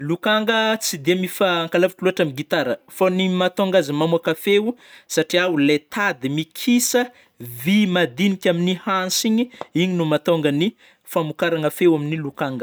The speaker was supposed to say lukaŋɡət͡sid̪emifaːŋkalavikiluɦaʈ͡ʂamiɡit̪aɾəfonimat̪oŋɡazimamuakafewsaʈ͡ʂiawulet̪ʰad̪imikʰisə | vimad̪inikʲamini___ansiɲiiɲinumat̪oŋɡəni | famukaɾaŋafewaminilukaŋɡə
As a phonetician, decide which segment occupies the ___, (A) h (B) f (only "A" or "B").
A